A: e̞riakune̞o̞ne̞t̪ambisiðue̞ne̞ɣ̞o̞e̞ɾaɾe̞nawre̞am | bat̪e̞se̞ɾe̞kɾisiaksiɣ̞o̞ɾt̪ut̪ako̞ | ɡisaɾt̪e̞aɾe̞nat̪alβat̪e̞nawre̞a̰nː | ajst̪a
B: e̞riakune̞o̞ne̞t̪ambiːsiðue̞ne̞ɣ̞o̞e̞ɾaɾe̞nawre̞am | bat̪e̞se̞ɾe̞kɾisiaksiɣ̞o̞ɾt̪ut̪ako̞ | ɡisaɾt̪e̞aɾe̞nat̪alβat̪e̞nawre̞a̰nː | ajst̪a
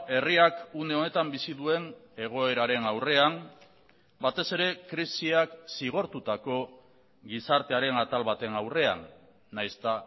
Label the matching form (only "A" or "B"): A